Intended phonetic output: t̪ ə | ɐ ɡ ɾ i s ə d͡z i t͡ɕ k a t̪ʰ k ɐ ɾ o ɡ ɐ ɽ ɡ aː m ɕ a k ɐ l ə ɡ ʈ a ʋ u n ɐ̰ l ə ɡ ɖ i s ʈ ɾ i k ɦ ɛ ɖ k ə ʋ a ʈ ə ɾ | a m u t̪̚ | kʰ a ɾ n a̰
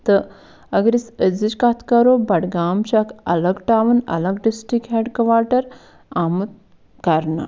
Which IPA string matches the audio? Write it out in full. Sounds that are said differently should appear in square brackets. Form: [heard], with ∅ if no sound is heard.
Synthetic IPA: t̪ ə | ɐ ɡ ɾ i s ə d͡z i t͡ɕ k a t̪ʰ k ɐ ɾ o [b] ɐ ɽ ɡ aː m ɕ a k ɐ l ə ɡ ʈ a ʋ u n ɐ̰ l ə ɡ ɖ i s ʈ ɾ i k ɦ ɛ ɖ k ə ʋ a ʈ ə ɾ | a m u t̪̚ | [k] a ɾ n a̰